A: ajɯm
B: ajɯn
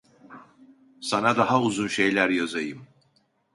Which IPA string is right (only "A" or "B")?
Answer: A